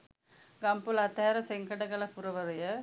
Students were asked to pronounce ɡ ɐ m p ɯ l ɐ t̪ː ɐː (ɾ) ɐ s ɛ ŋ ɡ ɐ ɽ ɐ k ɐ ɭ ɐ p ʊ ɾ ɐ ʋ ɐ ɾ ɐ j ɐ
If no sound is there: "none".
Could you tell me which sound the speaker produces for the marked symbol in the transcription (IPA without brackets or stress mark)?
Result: ɾ